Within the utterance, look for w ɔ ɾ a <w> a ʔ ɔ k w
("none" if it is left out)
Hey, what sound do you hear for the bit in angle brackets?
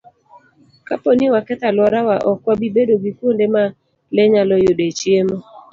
w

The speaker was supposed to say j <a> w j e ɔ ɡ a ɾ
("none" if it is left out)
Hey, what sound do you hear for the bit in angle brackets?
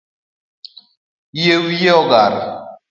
e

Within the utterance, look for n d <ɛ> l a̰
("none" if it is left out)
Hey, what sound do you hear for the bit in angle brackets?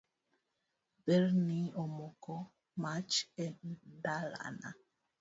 a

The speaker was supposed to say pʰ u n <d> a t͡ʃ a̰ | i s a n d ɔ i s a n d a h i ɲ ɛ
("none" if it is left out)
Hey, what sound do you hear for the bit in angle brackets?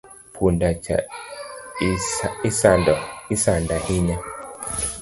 d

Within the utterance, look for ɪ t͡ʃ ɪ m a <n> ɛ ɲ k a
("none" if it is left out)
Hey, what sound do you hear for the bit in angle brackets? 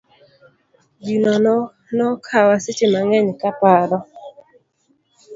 ŋ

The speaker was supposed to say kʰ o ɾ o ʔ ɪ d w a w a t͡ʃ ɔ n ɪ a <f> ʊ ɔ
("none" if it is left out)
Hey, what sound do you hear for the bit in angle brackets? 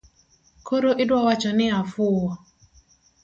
f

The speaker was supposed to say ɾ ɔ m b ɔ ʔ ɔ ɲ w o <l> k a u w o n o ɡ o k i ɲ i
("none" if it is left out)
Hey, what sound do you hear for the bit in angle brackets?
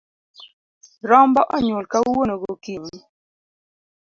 l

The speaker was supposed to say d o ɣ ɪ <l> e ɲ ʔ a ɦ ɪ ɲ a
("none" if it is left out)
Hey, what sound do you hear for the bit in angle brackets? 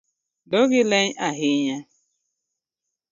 l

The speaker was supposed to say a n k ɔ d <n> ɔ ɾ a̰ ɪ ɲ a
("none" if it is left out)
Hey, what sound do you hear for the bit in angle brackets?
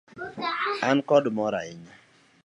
m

